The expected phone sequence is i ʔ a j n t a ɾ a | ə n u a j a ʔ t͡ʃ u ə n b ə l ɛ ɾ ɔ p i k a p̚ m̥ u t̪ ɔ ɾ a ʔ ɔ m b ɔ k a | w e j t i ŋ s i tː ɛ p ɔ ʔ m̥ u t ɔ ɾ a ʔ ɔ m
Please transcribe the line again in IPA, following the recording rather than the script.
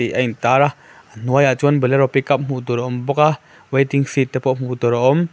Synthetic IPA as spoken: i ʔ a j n t a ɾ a | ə n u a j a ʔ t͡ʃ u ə n b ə l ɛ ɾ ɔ p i k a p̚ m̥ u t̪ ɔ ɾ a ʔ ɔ m b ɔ k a | w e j t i ŋ s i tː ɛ p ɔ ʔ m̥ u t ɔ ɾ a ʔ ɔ m